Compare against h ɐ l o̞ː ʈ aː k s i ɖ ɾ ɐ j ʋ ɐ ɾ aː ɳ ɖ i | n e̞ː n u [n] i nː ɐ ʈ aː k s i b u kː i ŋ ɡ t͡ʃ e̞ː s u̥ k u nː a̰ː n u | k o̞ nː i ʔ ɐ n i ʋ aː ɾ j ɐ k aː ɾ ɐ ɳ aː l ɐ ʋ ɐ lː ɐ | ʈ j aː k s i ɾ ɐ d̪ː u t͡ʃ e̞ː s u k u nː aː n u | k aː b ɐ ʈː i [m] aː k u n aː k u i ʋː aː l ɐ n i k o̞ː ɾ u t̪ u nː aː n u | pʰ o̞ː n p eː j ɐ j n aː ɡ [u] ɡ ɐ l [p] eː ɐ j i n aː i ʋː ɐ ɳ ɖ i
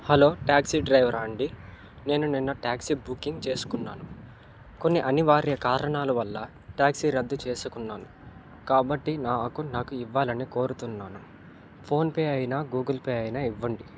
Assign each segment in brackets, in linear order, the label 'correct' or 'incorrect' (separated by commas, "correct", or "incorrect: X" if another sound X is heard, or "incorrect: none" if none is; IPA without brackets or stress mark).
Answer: correct, incorrect: n, incorrect: uː, correct